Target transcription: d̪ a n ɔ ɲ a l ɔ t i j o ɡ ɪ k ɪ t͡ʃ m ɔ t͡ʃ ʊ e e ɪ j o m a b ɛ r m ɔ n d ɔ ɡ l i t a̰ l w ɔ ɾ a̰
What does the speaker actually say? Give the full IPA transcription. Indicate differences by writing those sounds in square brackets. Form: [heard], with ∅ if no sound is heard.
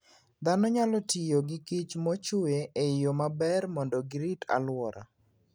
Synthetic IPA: d̪ a n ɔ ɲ a l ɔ t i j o ɡ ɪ k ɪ t͡ʃ m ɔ t͡ʃ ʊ e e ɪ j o m a b ɛ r m ɔ n d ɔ ɡ [ɾ] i t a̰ l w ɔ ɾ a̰